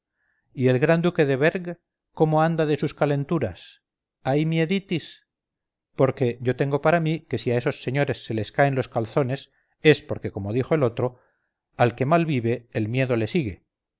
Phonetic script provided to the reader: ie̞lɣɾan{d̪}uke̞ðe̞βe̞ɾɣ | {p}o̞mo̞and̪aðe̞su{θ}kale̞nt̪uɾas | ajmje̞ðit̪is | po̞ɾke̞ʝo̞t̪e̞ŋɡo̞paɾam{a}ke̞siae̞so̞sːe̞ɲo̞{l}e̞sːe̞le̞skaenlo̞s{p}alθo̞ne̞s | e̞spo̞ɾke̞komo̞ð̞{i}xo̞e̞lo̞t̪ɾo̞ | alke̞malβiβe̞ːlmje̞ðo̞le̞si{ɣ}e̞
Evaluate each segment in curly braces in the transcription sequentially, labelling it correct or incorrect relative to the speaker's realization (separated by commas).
correct, incorrect, incorrect, incorrect, incorrect, incorrect, correct, correct